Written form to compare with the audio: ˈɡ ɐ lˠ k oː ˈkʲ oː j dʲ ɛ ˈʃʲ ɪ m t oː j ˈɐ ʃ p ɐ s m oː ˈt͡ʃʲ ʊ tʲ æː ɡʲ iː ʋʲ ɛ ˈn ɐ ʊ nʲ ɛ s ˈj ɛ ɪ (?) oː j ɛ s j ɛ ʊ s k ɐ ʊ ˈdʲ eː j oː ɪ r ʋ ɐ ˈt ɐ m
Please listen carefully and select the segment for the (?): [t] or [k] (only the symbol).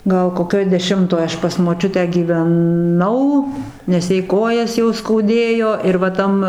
k